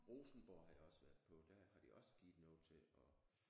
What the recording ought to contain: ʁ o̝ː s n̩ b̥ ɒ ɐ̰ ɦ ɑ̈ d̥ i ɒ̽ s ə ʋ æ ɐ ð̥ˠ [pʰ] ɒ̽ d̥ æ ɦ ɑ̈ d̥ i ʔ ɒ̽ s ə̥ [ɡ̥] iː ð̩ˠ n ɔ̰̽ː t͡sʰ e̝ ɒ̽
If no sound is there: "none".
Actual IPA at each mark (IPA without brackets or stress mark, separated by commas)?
pʰ, ɡ̥